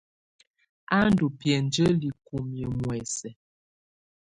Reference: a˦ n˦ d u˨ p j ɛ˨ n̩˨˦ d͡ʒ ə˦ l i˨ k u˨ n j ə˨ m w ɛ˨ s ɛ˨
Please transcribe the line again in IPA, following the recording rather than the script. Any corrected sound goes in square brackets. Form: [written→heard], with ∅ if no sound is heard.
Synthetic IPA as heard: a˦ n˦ d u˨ p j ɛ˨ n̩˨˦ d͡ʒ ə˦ l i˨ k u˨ [n→m] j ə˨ m w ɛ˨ s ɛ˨